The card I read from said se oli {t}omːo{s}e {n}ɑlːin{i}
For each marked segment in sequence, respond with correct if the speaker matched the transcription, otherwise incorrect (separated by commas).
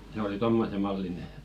correct, correct, incorrect, incorrect